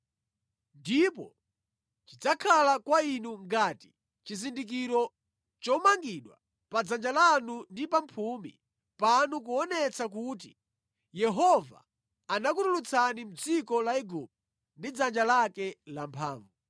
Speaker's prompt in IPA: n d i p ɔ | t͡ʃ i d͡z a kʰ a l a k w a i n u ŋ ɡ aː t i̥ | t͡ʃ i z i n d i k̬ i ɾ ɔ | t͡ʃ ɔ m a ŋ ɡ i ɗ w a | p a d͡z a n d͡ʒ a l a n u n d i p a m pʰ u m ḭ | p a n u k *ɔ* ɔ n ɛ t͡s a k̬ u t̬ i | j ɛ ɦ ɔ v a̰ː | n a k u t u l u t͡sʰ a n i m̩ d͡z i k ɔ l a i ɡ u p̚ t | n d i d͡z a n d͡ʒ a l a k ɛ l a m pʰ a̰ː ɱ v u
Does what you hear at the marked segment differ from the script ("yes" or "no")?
yes